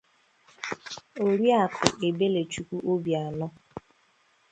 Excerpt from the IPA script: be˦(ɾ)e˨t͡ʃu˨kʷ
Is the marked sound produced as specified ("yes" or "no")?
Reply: no